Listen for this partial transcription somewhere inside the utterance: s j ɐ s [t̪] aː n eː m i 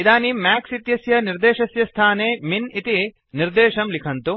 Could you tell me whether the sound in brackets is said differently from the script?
yes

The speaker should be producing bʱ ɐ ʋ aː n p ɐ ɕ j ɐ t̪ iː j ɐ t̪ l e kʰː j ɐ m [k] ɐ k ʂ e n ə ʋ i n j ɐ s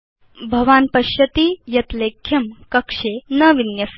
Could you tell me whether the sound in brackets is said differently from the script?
no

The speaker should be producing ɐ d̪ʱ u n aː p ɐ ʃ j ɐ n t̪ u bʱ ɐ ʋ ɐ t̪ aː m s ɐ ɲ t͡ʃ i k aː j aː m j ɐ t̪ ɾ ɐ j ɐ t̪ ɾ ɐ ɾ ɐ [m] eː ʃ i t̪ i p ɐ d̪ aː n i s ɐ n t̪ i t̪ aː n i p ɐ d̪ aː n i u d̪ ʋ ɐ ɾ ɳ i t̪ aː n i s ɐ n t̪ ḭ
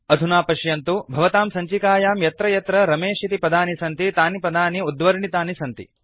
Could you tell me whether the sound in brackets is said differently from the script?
no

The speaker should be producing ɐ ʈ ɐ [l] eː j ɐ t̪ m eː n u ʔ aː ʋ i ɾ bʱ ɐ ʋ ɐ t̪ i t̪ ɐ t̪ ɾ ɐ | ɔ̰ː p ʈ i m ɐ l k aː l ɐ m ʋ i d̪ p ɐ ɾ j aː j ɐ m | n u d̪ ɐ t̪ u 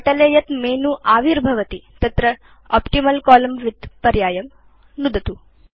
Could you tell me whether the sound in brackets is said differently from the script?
no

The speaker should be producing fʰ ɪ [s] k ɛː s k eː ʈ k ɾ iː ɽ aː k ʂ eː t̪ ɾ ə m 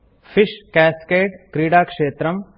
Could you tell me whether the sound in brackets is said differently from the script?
yes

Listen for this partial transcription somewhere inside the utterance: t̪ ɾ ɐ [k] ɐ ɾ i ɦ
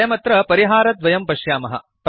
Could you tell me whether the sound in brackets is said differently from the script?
yes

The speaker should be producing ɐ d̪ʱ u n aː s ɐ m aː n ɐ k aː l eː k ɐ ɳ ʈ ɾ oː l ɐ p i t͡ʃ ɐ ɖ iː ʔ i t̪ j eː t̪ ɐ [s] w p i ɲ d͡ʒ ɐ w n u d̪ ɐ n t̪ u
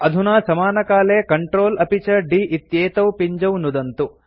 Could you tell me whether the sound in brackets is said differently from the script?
yes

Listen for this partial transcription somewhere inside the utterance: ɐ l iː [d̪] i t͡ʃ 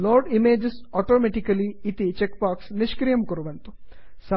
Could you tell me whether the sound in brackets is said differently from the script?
yes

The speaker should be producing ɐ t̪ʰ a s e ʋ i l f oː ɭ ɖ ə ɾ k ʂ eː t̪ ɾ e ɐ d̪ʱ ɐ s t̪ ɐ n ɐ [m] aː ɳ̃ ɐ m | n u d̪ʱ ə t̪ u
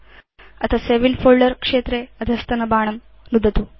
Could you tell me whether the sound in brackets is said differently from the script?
yes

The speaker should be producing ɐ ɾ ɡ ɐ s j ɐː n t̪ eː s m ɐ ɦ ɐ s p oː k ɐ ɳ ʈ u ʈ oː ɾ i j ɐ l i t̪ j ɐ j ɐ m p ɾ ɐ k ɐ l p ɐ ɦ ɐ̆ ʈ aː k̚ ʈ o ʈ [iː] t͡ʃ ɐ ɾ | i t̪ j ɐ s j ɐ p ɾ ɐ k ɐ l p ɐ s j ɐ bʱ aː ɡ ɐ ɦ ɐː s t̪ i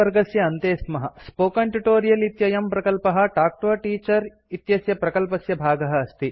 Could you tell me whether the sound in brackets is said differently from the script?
no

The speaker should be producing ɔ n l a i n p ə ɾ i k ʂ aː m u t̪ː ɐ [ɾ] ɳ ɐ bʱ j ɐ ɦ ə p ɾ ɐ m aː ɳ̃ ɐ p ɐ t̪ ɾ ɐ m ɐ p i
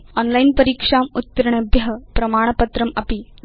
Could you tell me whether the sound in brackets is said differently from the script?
no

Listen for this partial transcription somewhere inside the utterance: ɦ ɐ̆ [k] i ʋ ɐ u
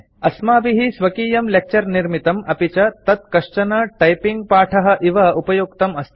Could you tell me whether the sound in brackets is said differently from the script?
yes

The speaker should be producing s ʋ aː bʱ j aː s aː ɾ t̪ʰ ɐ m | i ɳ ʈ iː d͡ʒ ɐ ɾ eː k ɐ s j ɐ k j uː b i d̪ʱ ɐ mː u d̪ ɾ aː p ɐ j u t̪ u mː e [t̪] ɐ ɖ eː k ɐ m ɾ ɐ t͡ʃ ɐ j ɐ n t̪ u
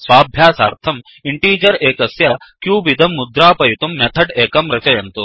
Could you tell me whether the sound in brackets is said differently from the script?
yes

